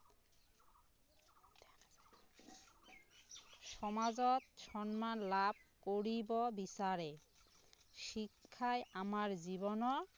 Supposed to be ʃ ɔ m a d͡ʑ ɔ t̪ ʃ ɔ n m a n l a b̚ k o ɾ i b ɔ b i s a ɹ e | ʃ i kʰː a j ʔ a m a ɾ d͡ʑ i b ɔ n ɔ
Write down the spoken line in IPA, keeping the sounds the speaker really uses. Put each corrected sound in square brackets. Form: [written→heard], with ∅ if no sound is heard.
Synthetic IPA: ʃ ɔ m a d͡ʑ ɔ t̪ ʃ ɔ n m a n l a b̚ k o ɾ i b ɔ b i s a [ɹ→ɾ] e | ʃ i kʰː a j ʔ a m a ɾ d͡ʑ i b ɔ n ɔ